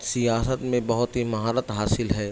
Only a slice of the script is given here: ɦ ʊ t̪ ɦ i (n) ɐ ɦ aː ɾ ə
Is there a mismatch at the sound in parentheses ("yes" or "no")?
yes